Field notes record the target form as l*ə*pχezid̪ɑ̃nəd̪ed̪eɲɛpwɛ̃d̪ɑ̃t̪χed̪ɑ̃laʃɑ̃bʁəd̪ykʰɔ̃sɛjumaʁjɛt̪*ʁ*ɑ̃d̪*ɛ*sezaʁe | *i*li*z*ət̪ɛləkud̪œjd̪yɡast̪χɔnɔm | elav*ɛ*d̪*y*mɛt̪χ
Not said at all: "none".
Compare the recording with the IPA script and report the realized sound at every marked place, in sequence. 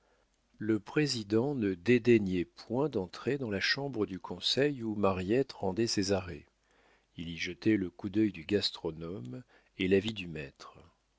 ə, ʁ, ɛ, i, ʒ, i, y

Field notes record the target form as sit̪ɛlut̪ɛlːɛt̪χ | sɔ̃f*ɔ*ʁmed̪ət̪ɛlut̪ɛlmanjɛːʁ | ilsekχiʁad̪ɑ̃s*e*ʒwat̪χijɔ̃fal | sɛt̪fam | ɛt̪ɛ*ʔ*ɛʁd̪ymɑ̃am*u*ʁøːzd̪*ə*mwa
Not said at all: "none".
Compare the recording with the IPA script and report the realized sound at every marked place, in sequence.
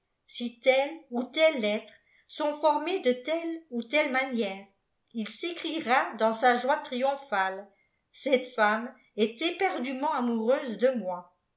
ɔ, a, p, u, ə

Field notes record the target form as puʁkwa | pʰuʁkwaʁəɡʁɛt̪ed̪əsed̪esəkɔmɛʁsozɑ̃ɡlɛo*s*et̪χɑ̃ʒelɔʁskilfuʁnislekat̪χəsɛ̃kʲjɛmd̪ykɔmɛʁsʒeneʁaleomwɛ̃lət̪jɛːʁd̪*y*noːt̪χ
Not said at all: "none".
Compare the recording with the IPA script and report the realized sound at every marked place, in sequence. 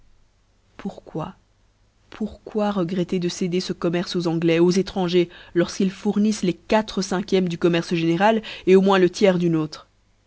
z, y

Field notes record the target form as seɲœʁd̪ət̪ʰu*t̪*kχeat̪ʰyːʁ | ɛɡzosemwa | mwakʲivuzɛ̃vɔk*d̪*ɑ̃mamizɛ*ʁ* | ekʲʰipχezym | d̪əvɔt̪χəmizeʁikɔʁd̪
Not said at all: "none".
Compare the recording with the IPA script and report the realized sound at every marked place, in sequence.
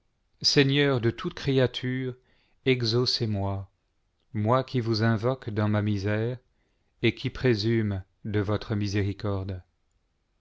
t̪, d̪, ʁ

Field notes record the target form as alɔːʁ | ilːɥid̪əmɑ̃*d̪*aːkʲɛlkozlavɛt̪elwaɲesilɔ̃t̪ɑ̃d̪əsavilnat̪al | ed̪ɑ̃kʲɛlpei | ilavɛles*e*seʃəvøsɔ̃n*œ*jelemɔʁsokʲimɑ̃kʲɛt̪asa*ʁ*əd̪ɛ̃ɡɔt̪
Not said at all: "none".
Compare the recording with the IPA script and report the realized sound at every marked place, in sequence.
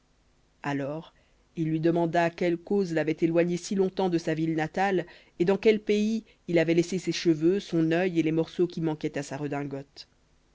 d̪, e, œ, ʁ

